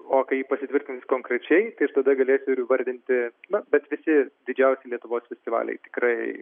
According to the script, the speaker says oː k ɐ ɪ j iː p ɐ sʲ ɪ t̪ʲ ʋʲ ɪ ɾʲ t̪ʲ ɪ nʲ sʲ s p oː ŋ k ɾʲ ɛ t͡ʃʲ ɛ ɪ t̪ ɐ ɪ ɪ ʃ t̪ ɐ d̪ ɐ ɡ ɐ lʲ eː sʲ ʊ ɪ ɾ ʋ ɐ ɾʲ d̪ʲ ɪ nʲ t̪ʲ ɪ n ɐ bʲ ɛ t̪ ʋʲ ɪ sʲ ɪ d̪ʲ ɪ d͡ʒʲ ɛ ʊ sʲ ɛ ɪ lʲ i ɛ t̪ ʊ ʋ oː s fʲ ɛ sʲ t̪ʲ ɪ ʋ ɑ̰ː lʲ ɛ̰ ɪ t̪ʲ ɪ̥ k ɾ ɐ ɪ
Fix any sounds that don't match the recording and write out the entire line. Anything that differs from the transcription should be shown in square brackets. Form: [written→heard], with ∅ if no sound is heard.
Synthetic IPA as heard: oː k ɐ ɪ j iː p ɐ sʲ ɪ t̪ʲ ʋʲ ɪ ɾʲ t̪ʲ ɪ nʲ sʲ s [p→k] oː ŋ k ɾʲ ɛ t͡ʃʲ ɛ ɪ t̪ ɐ ɪ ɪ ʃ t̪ ɐ d̪ ɐ ɡ ɐ lʲ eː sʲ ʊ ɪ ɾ ʋ ɐ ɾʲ d̪ʲ ɪ nʲ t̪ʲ ɪ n ɐ bʲ ɛ t̪ ʋʲ ɪ sʲ ɪ d̪ʲ ɪ d͡ʒʲ ɛ ʊ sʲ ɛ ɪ lʲ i ɛ t̪ ʊ ʋ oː s fʲ ɛ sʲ t̪ʲ ɪ ʋ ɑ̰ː lʲ ɛ̰ ɪ t̪ʲ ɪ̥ k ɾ ɐ ɪ

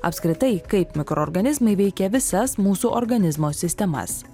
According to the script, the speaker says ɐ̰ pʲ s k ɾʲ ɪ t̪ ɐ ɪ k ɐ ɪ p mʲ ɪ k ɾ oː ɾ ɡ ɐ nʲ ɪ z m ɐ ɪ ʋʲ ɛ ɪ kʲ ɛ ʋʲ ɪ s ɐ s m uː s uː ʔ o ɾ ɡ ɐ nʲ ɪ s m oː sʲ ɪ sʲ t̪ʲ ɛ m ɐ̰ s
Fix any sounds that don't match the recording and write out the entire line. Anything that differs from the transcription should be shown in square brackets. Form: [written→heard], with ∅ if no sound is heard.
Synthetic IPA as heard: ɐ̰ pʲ s k ɾʲ ɪ t̪ ɐ ɪ k ɐ ɪ p mʲ ɪ k ɾ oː ɾ ɡ ɐ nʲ ɪ z m ɐ ɪ ʋʲ ɛ ɪ kʲ ɛ ʋʲ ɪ s ɐ s m uː s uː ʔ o ɾ ɡ ɐ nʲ ɪ [s→z] m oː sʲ ɪ sʲ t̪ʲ ɛ m ɐ̰ s

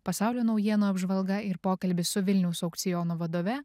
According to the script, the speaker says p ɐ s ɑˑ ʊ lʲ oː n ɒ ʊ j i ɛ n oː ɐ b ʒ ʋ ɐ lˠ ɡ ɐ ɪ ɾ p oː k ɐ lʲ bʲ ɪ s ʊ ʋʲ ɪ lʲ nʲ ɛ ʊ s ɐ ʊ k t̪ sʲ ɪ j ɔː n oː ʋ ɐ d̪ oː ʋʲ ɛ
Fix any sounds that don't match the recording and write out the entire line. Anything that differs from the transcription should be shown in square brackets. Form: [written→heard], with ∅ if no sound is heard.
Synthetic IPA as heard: p ɐ s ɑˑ ʊ lʲ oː n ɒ ʊ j i ɛ n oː ɐ b ʒ ʋ ɐ lˠ ɡ ɐ ɪ ɾ p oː k ɐ lʲ bʲ ɪ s ʊ ʋʲ ɪ lʲ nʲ ɛ ʊ s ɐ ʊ k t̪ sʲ ɪ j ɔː n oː ʋ ɐ d̪ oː ʋʲ ɛ

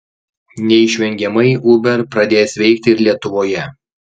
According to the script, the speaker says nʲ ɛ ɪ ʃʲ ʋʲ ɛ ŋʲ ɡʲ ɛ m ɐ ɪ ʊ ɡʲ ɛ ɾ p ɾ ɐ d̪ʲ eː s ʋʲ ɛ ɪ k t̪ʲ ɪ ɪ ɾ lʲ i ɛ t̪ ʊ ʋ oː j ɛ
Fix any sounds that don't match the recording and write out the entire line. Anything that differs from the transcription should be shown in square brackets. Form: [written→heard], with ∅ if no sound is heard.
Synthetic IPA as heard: nʲ ɛ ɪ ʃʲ ʋʲ ɛ ŋʲ ɡʲ ɛ m ɐ ɪ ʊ [ɡʲ→bʲ] ɛ ɾ p ɾ ɐ d̪ʲ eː s ʋʲ ɛ ɪ k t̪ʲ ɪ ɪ ɾ lʲ i ɛ t̪ ʊ ʋ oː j ɛ

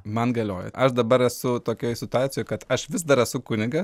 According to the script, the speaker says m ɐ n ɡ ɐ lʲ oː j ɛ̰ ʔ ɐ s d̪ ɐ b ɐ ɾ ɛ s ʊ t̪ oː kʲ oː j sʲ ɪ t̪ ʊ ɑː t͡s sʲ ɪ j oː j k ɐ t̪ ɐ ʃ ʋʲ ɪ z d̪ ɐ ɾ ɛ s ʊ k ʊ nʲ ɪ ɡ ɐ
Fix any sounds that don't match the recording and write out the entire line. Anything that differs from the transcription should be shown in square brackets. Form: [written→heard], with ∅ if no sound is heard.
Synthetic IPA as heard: m ɐ n ɡ ɐ lʲ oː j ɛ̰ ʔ ɐ [s→ʃ] d̪ ɐ b ɐ ɾ ɛ s ʊ t̪ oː kʲ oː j sʲ ɪ t̪ ʊ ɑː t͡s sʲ ɪ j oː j k ɐ t̪ ɐ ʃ ʋʲ ɪ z d̪ ɐ ɾ ɛ s ʊ k ʊ nʲ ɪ ɡ ɐ

